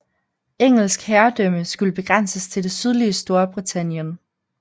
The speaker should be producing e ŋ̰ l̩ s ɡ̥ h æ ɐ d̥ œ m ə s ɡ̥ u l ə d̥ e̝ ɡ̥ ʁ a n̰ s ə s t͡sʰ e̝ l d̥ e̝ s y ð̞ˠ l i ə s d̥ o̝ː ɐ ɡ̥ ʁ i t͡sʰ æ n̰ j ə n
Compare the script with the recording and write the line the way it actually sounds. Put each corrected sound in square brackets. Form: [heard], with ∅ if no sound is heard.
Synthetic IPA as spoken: e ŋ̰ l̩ s ɡ̥ h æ ɐ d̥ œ m ə s ɡ̥ u l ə [b̥] e̝ ɡ̥ ʁ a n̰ s ə s t͡sʰ e̝ l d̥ e̝ s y ð̞ˠ l i ə s d̥ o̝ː ɐ [b̥] ʁ i t͡sʰ æ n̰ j ə n